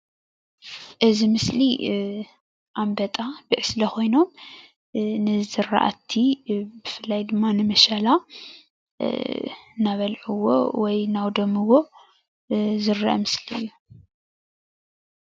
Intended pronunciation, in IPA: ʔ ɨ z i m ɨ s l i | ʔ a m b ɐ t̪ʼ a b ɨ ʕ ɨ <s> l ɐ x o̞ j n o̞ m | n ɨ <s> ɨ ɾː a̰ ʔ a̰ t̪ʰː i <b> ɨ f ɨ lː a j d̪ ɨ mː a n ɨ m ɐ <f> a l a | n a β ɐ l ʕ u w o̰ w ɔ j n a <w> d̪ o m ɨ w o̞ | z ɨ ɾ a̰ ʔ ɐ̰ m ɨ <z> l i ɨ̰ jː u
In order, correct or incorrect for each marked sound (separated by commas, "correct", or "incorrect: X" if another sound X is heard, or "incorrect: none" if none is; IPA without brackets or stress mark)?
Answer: correct, incorrect: z, correct, incorrect: ʃ, correct, incorrect: s